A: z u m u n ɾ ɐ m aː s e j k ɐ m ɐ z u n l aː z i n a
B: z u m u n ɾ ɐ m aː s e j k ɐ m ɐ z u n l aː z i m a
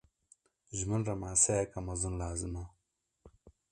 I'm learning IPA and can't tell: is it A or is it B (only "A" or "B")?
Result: B